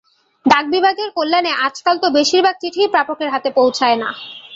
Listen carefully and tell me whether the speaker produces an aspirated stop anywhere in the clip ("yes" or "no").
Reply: yes